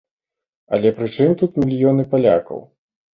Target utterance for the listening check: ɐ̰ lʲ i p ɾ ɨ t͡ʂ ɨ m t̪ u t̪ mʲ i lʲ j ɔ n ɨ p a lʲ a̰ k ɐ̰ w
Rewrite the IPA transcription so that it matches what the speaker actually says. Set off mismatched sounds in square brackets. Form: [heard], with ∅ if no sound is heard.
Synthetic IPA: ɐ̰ lʲ [ɛ] p ɾ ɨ t͡ʂ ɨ m t̪ u t̪ mʲ i lʲ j ɔ n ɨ p a lʲ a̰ k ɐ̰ w